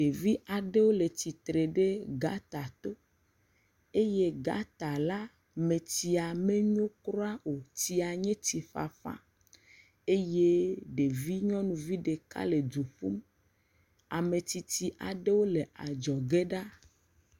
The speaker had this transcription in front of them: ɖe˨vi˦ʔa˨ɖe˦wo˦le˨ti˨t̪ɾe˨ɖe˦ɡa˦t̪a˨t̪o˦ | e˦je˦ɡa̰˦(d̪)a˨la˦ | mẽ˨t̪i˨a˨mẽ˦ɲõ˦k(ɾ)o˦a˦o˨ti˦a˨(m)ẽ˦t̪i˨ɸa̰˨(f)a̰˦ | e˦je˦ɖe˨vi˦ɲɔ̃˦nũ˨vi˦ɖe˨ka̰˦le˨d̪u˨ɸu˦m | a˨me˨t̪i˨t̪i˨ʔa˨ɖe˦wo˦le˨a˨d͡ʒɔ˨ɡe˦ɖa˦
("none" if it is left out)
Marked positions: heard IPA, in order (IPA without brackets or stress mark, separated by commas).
t̪, ɾ, ɲ, f